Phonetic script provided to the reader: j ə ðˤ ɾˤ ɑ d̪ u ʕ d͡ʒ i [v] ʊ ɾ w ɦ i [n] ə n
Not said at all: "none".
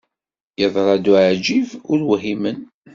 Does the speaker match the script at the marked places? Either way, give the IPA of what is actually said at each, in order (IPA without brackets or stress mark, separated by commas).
v, m